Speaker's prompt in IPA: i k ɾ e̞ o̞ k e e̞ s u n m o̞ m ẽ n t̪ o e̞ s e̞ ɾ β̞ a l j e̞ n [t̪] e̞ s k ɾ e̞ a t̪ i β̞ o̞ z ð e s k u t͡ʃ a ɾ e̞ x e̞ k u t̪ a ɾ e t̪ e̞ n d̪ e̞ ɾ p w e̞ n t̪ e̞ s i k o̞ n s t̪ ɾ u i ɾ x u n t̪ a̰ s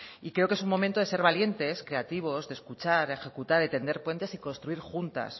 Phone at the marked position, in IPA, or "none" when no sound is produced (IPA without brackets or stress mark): t̪